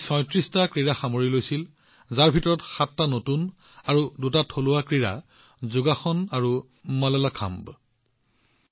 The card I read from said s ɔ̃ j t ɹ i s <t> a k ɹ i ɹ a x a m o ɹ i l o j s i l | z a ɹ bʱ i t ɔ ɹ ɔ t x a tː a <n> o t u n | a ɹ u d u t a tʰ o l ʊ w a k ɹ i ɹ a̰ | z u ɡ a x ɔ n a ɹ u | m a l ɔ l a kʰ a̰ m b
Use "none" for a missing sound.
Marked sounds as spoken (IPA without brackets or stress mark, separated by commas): t, n